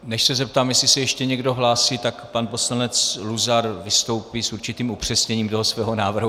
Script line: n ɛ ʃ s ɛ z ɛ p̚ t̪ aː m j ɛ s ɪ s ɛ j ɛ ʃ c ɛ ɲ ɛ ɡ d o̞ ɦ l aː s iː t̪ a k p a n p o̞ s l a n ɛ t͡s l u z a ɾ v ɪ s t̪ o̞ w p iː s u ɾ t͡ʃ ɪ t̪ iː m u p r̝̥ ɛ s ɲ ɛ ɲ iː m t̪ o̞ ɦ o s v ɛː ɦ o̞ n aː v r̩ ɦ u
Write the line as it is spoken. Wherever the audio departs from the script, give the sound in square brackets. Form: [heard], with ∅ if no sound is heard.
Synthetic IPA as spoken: n ɛ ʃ s ɛ z ɛ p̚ t̪ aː m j ɛ s ɪ s ɛ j ɛ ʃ c ɛ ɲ ɛ ɡ d o̞ ɦ l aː s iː t̪ a k p a n p o̞ s l a n ɛ t͡s l u z a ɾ v ɪ s t̪ o̞ w p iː s u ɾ t͡ʃ ɪ t̪ iː m u p r̝̥ ɛ s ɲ ɛ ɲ iː m t̪ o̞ ɦ o s v ɛː ɦ o̞ n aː v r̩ ɦ u

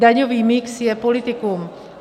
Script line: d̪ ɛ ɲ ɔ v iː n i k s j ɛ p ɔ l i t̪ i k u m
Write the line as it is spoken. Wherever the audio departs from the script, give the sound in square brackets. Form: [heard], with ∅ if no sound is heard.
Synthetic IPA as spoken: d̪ [a] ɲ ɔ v iː [m] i k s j ɛ p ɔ l i t̪ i k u m

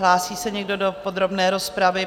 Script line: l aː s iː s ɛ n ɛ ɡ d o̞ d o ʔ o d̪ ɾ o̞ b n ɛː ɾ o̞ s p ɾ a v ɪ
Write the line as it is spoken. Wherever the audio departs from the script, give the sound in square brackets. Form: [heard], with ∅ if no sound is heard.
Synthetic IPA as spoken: l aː s iː s ɛ [ɲ] ɛ ɡ d o̞ d o [p] o d̪ ɾ o̞ b n ɛː ɾ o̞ s p ɾ a v ɪ

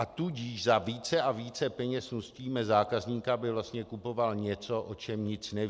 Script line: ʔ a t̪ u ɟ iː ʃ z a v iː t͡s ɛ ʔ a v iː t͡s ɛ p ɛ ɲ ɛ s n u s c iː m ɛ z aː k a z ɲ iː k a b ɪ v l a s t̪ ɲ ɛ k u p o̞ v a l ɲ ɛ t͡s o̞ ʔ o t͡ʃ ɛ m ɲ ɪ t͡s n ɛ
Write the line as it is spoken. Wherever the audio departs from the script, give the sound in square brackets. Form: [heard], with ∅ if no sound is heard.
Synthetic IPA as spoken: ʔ a t̪ u ɟ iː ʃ z a v iː t͡s ɛ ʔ a v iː t͡s ɛ p ɛ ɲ ɛ s n u s c iː m ɛ z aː k a z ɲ iː k a b ɪ v l a s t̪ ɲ ɛ k u p o̞ v a l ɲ ɛ t͡s o̞ ʔ o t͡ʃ ɛ m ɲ ɪ t͡s n ɛ

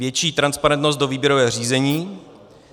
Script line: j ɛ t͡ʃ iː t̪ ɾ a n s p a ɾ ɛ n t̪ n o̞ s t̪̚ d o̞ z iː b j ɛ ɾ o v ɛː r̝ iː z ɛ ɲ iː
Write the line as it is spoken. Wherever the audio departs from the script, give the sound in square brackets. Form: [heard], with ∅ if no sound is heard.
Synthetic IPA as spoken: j ɛ t͡ʃ iː t̪ ɾ a n s p a ɾ ɛ n t̪ n o̞ s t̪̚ d o̞ [v] iː b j ɛ ɾ o v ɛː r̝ iː z ɛ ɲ iː

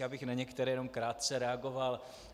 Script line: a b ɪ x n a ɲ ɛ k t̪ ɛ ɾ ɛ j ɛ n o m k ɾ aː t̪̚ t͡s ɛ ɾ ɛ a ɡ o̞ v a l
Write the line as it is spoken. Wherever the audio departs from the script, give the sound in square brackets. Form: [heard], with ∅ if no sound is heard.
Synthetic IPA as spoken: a b ɪ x n a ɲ ɛ k t̪ ɛ ɾ ɛ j ɛ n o m k ɾ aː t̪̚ t͡s ɛ ɾ ɛ a ɡ o̞ v a l

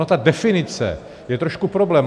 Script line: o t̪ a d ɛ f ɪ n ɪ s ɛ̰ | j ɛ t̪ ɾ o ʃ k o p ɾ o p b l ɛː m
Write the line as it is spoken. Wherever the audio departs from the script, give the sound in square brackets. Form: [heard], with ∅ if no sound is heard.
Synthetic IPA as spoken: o t̪ a d ɛ f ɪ n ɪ [t͡s] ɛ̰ | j ɛ t̪ ɾ o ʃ k [u] p ɾ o [∅] b l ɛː m

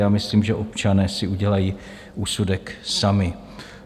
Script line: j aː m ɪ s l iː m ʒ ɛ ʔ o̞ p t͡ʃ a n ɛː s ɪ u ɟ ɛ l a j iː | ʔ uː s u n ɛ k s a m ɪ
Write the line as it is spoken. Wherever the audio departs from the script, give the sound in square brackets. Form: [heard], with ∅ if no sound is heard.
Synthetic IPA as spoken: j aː m ɪ s l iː m ʒ ɛ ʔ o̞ p t͡ʃ a n ɛː s ɪ u ɟ ɛ l a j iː | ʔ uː s u [d] ɛ k s a m ɪ

